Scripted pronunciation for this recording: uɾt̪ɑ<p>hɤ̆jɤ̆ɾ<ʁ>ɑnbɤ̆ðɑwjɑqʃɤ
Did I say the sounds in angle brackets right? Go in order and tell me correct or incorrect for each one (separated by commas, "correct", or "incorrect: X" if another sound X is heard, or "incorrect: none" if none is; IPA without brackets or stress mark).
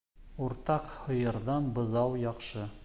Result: incorrect: q, incorrect: ð